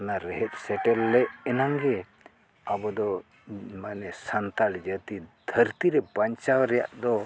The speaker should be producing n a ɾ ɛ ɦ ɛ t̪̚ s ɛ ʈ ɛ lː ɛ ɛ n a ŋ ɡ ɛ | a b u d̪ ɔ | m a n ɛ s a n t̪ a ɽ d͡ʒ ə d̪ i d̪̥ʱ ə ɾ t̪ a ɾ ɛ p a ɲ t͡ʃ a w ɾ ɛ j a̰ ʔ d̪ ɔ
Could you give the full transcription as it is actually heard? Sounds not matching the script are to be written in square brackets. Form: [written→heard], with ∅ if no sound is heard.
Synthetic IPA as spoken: n a ɾ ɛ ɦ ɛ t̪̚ s ɛ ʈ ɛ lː ɛ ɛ n a ŋ ɡ ɛ | a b [u→ɔ] d̪ ɔ | m a n ɛ s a n t̪ a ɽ d͡ʒ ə [d̪→t̪] i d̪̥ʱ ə ɾ t̪ [a→i] ɾ ɛ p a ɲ t͡ʃ a w ɾ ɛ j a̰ ʔ d̪ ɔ